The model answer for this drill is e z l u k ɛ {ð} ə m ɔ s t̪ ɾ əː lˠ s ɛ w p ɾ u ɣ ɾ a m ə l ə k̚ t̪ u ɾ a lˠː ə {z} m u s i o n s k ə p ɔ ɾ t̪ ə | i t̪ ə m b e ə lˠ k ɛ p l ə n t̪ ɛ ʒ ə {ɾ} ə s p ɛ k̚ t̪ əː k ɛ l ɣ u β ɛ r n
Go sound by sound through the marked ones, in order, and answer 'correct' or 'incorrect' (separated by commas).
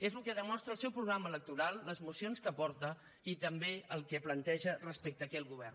correct, correct, incorrect